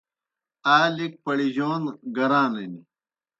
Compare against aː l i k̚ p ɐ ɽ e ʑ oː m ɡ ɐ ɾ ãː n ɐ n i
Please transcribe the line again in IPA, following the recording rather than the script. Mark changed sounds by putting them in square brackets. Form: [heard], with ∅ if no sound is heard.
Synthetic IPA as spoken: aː l i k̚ p ɐ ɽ [i] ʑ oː [n] ɡ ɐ ɾ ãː n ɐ n i